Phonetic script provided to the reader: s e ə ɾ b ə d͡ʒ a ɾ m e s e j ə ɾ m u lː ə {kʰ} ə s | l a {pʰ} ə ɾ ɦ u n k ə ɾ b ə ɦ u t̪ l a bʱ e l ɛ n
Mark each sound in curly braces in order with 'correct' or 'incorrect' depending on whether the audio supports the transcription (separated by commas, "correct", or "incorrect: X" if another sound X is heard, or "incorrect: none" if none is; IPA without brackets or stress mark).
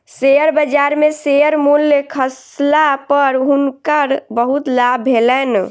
correct, incorrect: p